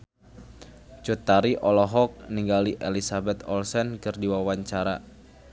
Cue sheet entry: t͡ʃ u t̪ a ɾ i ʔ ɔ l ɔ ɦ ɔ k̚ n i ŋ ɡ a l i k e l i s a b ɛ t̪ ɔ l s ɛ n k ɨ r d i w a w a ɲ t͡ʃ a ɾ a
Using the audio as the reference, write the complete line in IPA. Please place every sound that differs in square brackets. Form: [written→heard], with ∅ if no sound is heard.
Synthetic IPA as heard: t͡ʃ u t̪ a ɾ i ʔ ɔ l ɔ ɦ ɔ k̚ n i ŋ ɡ a l i [k→ʔ] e l i s a b ɛ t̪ ɔ l s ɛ n k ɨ r d i w a w a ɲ t͡ʃ a ɾ a